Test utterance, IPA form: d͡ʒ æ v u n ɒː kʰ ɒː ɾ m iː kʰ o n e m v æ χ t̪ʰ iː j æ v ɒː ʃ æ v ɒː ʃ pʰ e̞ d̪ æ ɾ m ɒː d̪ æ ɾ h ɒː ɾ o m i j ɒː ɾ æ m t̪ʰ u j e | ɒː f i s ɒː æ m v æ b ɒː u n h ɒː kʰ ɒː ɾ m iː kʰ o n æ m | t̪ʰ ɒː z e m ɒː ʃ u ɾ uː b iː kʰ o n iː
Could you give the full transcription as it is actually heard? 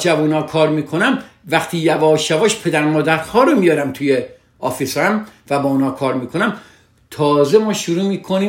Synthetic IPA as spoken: d͡ʒ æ v u n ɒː kʰ ɒː ɾ m iː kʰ o n æ m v æ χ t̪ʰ iː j æ v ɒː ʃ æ v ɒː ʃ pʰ e̞ d̪ æ ɾ m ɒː d̪ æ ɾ h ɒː ɾ o m i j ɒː ɾ æ m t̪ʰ u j e | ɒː f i s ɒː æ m v æ b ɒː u n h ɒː kʰ ɒː ɾ m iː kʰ o n æ m | t̪ʰ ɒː z e m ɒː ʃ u ɾ uː m iː kʰ o n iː